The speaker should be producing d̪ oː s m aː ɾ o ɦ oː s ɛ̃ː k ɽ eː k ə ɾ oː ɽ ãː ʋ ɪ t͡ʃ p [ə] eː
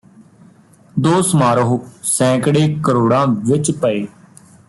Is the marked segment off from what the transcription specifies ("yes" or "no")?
no